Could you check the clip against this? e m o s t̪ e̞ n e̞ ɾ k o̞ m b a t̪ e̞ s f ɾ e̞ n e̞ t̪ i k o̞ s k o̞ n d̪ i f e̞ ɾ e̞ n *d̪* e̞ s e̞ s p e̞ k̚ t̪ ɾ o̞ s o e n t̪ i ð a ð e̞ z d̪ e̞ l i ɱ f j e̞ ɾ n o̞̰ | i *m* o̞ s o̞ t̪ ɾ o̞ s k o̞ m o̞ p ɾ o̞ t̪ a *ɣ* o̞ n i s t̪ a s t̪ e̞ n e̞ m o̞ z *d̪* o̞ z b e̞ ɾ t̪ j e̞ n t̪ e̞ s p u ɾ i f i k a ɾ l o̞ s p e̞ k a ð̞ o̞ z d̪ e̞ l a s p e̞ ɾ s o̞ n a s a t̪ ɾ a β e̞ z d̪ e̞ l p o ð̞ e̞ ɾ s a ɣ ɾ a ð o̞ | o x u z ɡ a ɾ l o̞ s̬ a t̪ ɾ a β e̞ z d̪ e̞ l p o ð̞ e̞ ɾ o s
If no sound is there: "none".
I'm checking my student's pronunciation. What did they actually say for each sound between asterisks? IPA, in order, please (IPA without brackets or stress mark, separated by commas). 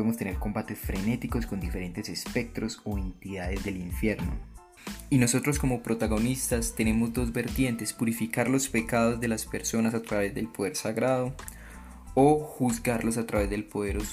t̪, n, ɣ, d̪